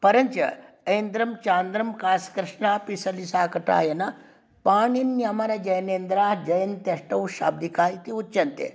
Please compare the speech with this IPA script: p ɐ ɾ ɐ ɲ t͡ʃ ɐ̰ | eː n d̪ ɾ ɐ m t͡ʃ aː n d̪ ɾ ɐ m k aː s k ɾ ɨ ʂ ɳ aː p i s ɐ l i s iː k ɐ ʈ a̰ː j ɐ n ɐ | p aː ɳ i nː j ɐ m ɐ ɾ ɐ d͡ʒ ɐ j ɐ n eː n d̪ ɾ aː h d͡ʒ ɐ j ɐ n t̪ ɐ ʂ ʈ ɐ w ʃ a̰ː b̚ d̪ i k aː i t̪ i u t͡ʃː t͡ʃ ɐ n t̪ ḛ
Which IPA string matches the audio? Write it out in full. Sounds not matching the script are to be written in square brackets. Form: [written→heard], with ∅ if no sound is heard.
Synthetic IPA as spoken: p ɐ ɾ ɐ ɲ t͡ʃ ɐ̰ | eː n d̪ ɾ ɐ m t͡ʃ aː n d̪ ɾ ɐ m k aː s k ɾ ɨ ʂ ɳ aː p i s ɐ l i s [iː→aː] k ɐ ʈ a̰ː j ɐ n ɐ | p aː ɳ i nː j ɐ m ɐ ɾ ɐ d͡ʒ ɐ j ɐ n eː n d̪ ɾ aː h d͡ʒ ɐ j ɐ n t̪ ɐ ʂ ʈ ɐ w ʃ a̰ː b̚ d̪ i k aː i t̪ i u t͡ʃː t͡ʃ ɐ n t̪ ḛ